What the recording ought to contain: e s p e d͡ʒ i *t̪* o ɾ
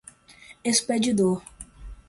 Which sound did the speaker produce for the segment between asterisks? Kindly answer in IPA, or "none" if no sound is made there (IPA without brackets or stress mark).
d̪